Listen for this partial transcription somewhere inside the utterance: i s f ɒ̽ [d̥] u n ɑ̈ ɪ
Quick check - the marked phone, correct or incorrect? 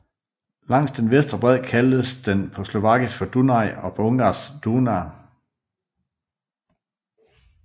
correct